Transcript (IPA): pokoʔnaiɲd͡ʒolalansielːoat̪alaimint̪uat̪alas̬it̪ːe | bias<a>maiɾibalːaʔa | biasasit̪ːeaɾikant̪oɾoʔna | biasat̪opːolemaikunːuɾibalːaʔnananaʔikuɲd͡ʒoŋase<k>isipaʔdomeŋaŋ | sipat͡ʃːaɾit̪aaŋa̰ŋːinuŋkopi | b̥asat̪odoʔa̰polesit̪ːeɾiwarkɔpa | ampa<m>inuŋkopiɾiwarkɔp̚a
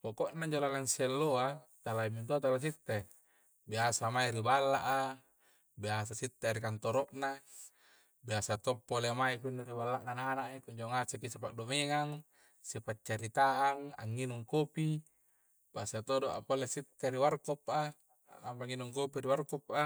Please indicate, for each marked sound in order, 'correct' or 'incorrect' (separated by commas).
correct, correct, incorrect